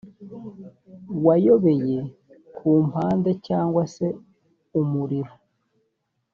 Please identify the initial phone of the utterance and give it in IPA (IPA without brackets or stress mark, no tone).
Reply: w